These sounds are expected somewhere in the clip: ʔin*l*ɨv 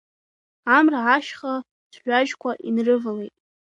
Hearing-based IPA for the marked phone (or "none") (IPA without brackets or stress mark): r